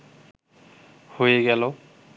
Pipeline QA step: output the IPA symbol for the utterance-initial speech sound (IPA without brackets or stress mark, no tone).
h